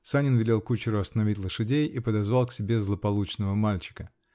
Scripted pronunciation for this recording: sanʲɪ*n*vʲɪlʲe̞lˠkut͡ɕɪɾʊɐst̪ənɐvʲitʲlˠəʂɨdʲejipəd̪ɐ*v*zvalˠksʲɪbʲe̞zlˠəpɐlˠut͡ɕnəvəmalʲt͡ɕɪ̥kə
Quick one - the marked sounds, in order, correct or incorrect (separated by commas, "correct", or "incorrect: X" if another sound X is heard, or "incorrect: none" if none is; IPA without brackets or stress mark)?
correct, incorrect: none